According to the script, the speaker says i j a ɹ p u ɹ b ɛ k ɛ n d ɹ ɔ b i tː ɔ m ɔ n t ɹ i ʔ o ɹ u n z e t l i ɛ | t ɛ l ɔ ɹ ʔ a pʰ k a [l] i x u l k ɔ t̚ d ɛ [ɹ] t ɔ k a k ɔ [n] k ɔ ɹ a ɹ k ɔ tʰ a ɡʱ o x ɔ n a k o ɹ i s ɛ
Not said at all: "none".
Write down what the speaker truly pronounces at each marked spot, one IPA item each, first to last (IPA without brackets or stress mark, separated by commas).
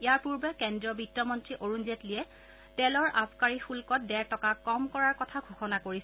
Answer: ɹ, ɹ, m